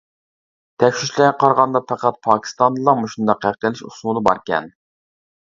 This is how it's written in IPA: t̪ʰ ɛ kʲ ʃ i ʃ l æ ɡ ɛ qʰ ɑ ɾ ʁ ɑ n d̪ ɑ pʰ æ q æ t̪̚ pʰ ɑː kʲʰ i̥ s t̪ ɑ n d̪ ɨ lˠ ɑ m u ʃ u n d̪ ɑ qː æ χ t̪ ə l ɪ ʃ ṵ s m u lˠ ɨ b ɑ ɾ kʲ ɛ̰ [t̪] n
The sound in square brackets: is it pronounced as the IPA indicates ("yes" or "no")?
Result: no